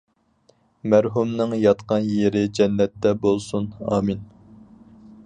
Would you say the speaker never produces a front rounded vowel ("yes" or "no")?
yes